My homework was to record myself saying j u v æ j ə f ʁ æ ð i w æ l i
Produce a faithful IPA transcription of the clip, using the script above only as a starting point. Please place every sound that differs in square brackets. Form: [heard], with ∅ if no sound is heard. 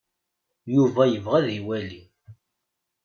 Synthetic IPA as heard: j u v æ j ə [v] ʁ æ ð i w æ l i

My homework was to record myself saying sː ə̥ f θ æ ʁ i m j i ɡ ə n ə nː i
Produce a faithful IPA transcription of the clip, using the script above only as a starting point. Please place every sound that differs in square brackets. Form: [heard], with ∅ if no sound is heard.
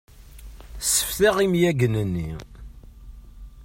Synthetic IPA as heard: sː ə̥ f θ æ ʁ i m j [æ] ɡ ə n ə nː i

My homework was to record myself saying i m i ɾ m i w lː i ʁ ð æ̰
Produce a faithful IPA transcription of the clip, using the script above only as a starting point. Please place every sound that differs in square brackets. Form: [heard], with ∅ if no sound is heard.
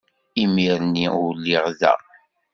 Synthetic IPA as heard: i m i ɾ [n] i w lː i ʁ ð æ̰

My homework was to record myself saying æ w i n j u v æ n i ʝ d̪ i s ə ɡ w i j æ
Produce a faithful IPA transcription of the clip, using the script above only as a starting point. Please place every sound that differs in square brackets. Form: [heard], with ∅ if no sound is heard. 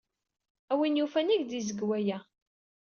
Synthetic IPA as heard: æ w i n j u [f] æ n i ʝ d̪ i [z] ə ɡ w [æ] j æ

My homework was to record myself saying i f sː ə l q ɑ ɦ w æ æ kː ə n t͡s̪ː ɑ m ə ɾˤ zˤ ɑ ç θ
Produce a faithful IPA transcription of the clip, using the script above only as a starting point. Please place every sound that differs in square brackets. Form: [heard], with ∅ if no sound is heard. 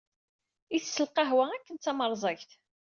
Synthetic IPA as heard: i [θ] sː ə l q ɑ ɦ w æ æ kː ə n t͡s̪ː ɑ m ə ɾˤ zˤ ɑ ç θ

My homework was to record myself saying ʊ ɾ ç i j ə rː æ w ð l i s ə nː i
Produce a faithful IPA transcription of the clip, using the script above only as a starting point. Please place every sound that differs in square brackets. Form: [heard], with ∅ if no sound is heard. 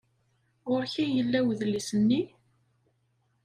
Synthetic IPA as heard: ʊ ɾ ç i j ə [lː] æ w ð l i s ə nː i

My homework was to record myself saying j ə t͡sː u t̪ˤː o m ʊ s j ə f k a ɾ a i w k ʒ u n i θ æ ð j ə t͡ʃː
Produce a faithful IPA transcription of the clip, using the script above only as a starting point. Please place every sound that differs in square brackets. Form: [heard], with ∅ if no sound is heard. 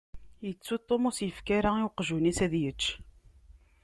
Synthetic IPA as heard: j ə t͡sː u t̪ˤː o m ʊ s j ə f k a ɾ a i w [q] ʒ u n i [s] æ ð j ə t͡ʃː

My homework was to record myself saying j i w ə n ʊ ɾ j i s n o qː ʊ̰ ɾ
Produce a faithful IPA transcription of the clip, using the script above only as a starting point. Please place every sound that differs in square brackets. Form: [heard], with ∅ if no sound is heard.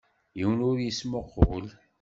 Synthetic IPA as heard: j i w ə n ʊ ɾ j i s [m] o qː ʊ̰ [l]

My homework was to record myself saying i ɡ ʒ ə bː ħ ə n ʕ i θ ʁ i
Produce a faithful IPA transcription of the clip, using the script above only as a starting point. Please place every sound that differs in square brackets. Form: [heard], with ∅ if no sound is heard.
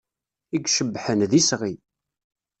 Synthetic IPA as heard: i ɡ [ʃ] ə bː ħ ə n [ð] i [s] ʁ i

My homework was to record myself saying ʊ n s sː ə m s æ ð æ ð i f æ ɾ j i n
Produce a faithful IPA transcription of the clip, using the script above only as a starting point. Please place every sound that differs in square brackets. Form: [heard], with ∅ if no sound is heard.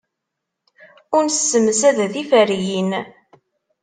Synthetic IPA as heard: ʊ n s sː ə m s æ ð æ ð i f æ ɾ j i n

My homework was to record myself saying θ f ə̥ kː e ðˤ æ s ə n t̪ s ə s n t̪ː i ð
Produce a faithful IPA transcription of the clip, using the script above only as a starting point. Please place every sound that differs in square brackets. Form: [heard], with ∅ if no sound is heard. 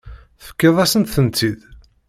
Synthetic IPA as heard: θ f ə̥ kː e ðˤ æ s ə n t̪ [θ] ə [∅] n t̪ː i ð

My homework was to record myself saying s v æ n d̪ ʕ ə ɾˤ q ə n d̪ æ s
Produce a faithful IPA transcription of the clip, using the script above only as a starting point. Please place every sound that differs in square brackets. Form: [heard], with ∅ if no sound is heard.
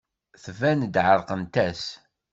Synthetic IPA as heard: [θ] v æ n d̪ ʕ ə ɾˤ q ə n [t̪] æ s

